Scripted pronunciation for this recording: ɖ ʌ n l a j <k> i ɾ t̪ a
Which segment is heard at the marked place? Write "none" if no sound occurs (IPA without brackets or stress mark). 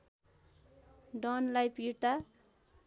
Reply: p